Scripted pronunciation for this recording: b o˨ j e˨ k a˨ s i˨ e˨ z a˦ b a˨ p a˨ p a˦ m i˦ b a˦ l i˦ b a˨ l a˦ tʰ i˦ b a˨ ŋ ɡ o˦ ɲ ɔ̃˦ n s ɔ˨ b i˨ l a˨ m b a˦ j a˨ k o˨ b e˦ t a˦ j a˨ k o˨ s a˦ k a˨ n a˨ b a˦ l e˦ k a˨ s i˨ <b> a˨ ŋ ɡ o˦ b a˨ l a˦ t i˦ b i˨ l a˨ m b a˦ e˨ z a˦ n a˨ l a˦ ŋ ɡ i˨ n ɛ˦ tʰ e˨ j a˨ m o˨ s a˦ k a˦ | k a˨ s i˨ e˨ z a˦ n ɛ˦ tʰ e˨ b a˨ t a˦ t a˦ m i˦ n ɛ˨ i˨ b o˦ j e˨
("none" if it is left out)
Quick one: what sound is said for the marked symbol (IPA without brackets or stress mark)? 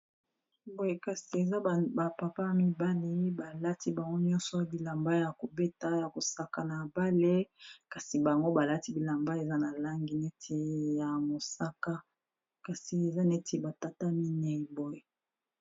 b